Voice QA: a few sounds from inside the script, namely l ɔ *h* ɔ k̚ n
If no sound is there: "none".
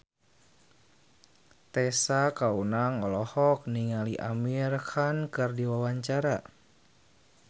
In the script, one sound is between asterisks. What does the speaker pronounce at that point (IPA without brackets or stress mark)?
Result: h